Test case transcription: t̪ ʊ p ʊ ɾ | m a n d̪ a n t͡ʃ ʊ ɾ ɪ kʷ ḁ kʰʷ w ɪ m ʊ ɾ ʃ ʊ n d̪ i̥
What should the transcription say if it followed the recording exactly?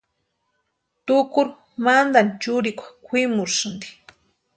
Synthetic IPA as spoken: t̪ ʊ k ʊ ɾ | m a n d̪ a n t͡ʃ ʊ ɾ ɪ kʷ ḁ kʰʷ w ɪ m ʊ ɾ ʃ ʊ n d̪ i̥